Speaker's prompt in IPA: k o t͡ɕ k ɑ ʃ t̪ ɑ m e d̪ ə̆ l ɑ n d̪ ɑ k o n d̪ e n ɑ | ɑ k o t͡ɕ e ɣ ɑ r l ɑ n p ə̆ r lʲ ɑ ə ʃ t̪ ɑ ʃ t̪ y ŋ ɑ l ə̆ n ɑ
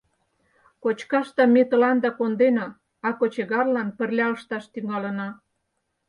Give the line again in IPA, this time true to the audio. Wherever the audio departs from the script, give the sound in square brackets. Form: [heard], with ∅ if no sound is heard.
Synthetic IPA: k o t͡ɕ k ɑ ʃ t̪ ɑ m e [t̪] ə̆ l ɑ n d̪ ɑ k o n d̪ e n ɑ | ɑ k o t͡ɕ e ɣ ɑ r l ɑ n p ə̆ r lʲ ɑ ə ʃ t̪ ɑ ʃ t̪ y ŋ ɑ l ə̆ n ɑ